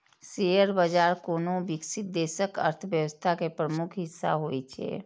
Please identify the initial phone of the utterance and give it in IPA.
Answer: s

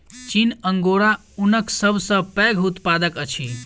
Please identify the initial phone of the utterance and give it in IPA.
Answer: t͡ʃ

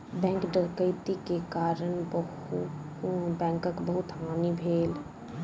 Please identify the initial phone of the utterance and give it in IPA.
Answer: b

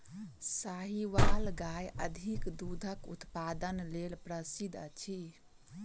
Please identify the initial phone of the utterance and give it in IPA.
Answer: s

